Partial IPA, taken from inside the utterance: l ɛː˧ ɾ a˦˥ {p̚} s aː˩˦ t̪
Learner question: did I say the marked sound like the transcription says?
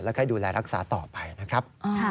no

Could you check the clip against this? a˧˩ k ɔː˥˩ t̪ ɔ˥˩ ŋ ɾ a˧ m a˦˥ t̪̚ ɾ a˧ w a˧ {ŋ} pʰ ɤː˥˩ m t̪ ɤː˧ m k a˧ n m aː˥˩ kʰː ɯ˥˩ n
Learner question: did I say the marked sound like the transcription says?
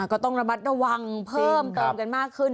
yes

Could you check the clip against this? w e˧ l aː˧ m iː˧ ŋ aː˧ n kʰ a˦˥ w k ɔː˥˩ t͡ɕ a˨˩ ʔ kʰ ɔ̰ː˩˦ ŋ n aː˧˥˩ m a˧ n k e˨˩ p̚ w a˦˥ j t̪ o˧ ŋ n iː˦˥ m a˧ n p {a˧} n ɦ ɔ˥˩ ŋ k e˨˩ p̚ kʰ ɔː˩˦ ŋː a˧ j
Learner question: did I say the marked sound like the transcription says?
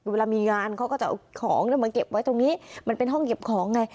no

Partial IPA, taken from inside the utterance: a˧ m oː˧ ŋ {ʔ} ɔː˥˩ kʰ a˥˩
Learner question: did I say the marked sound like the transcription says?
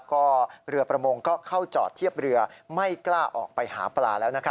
no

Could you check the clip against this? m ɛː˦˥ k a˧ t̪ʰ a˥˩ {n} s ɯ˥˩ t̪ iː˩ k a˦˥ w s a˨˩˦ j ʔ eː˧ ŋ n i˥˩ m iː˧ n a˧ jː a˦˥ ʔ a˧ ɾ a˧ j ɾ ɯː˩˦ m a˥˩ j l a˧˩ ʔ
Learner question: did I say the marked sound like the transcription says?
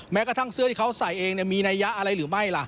no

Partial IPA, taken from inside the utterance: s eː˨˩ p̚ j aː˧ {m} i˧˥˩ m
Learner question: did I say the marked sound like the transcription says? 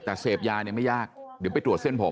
no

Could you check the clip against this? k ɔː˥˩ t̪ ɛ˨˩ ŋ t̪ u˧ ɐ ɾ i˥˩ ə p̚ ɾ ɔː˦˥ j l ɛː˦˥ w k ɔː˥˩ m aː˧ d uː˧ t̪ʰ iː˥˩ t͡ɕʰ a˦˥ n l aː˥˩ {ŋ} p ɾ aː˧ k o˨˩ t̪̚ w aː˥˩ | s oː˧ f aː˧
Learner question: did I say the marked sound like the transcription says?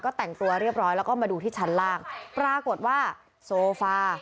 yes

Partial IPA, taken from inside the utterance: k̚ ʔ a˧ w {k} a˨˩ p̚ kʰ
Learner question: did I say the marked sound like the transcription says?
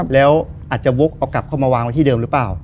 yes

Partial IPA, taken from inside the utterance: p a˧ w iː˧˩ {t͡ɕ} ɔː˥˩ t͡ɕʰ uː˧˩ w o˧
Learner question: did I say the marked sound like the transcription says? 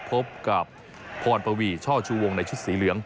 no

